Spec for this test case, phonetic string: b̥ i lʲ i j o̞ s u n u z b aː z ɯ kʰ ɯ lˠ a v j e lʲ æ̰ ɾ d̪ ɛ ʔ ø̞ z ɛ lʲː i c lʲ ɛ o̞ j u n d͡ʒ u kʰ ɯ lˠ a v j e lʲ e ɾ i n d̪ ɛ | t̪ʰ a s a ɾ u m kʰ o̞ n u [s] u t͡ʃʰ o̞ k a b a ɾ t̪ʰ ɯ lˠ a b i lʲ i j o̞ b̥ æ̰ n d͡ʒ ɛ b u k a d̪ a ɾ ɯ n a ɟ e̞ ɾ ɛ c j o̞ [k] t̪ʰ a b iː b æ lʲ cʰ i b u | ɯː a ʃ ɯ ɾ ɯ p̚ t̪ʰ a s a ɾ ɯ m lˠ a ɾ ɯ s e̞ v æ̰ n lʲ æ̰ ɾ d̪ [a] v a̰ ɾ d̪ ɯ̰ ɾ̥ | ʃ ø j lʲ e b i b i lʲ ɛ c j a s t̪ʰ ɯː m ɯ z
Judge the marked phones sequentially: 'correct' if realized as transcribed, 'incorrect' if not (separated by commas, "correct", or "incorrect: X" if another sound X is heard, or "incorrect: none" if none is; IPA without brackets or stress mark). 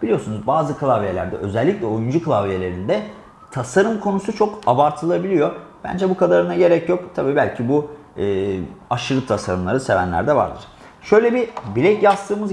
correct, correct, incorrect: ɛ